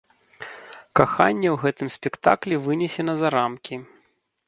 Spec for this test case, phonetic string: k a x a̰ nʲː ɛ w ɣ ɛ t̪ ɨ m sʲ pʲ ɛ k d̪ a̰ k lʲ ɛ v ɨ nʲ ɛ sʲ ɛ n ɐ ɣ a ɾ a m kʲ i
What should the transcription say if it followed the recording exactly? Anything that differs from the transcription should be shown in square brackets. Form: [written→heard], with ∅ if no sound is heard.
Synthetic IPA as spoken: k a x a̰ nʲː ɛ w ɣ ɛ t̪ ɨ m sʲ pʲ ɛ k [d̪→t̪] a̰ k lʲ ɛ v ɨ nʲ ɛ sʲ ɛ n ɐ [ɣ→z] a ɾ a m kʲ i